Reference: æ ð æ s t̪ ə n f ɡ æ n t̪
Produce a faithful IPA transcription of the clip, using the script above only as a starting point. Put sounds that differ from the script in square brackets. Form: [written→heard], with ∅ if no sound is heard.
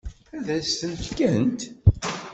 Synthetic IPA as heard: æ ð æ s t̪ ə n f [ɡ→k] æ n t̪